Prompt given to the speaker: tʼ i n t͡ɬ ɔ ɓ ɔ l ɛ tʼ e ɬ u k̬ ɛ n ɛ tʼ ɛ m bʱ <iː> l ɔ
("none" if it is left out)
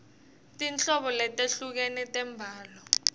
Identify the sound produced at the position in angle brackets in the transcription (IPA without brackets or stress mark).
aː